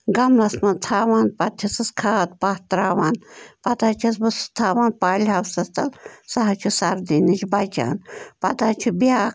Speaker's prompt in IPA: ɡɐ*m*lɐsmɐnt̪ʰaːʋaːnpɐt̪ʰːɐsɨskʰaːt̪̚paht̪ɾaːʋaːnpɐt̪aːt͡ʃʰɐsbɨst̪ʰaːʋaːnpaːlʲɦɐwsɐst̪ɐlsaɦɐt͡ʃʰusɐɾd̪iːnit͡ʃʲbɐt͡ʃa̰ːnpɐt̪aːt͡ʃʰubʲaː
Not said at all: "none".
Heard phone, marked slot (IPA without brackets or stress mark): m